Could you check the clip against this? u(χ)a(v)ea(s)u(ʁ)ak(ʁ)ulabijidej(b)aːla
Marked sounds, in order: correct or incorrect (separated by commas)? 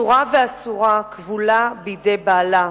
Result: incorrect, correct, correct, correct, incorrect, correct